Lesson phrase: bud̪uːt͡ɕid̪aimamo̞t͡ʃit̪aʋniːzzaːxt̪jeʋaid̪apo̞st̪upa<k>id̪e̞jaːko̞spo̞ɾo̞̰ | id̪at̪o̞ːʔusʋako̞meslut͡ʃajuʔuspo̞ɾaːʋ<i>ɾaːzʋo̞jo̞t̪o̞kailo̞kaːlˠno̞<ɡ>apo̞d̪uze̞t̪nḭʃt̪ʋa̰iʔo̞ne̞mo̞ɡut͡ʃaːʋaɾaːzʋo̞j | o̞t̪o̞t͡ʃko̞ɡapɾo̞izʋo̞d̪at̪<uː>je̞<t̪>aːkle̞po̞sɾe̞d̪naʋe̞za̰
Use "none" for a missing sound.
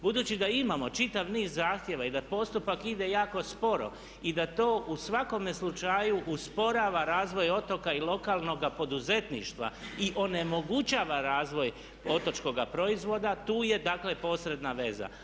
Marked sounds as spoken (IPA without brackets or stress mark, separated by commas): k, a, ɡ, uː, d̪